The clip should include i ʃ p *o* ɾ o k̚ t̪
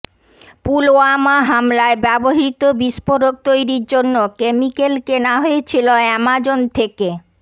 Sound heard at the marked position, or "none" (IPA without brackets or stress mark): o